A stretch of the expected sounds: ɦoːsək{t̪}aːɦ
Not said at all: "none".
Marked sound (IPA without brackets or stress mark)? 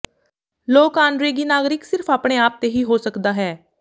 d̪